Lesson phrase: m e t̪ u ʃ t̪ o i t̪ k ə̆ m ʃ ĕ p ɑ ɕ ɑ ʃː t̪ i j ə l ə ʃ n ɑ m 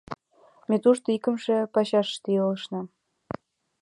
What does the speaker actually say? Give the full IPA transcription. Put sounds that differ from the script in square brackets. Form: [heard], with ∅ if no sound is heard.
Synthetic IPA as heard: m e t̪ u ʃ t̪ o i [∅] k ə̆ m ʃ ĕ p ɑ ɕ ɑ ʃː t̪ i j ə l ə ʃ n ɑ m

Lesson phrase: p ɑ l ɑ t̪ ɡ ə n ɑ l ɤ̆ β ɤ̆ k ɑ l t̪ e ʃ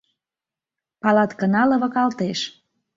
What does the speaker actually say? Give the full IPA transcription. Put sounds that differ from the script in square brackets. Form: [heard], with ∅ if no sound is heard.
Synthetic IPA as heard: p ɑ l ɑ t̪ [k] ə n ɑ l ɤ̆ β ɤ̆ k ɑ l t̪ e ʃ

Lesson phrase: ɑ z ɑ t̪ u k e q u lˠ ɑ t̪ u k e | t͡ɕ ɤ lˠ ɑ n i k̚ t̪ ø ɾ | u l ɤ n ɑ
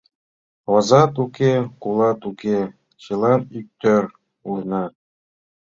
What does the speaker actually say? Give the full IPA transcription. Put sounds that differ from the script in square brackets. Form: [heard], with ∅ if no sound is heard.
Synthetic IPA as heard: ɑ z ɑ t̪ u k e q u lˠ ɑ t̪ u k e | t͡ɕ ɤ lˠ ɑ n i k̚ t̪ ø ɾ | u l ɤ n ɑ

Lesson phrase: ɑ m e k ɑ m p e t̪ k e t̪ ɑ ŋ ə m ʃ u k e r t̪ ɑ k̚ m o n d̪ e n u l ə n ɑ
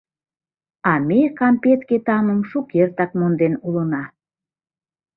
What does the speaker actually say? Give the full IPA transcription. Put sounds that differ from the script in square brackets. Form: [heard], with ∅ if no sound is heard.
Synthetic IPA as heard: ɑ m e k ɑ m p e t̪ k e t̪ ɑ [m] ə m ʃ u k e r t̪ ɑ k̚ m o n d̪ e n u l ə n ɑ

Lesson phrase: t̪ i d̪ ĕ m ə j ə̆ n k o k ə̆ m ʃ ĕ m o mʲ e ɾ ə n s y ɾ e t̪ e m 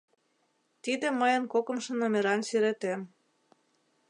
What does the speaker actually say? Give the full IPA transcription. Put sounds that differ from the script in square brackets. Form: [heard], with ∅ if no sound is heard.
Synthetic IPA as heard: t̪ i d̪ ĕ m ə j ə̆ n k o k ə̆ m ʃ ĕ [n] o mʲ e ɾ [ɑ] n s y ɾ e t̪ e m

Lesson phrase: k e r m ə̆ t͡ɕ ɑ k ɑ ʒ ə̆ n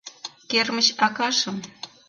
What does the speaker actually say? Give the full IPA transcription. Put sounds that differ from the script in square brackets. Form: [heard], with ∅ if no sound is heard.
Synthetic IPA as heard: k e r m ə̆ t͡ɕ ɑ k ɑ [ʃ] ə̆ [m]

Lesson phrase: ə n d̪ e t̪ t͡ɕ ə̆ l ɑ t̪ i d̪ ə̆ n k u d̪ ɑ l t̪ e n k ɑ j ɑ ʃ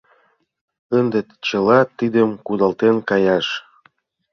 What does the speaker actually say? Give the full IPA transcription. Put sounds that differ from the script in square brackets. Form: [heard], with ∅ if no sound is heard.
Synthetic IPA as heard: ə n d̪ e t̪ t͡ɕ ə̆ l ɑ t̪ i d̪ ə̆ [m] k u d̪ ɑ l t̪ e n k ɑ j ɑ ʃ

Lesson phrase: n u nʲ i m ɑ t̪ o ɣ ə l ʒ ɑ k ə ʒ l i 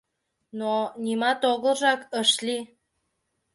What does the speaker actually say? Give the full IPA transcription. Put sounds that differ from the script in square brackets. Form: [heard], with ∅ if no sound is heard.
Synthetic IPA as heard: n [o] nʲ i m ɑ t̪ o ɣ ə l ʒ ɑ k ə [ʃ] l i

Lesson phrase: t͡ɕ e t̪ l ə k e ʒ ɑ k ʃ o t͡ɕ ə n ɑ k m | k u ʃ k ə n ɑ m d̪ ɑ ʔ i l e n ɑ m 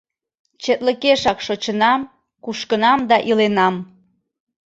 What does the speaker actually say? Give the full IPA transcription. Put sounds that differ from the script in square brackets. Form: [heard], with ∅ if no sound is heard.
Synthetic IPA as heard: t͡ɕ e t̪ l ə k e [ʃ] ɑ k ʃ o t͡ɕ ə n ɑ [∅] m | k u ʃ k ə n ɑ m d̪ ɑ ʔ i l e n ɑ m

